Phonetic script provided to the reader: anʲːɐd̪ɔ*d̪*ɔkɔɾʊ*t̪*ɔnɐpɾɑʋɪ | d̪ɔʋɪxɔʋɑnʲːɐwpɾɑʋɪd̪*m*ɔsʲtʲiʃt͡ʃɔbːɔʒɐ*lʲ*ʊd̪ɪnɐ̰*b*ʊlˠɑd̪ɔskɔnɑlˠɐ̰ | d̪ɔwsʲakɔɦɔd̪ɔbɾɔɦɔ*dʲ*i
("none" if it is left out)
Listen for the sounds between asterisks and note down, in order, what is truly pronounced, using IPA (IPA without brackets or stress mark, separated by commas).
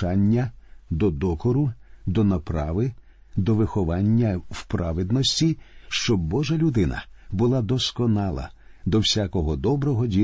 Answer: d̪, d̪, n, lʲ, b, dʲ